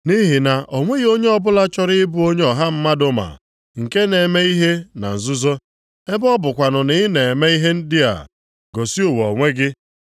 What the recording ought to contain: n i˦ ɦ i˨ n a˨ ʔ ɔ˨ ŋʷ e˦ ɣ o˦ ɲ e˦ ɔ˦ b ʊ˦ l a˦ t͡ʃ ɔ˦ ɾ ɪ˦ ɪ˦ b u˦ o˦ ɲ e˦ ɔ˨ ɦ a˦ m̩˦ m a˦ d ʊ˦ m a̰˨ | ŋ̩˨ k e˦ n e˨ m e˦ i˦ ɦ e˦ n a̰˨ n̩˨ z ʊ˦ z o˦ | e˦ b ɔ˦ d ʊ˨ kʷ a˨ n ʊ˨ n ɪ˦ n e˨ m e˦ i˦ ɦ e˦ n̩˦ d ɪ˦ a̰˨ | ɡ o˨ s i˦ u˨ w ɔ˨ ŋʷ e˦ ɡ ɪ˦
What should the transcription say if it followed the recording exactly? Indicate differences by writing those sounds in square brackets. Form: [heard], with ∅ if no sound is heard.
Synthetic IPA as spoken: n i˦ ɦ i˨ n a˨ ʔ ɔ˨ ŋʷ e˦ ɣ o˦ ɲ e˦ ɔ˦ b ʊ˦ l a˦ t͡ʃ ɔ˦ ɾ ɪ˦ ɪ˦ b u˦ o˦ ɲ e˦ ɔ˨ ɦ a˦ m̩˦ m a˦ d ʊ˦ m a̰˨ | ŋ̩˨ k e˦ n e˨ m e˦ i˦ ɦ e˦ n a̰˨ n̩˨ z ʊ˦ z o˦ | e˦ b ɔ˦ [b] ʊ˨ kʷ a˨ n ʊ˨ n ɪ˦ n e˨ m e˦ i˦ ɦ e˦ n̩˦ d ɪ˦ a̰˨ | ɡ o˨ s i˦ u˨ w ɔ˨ ŋʷ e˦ ɡ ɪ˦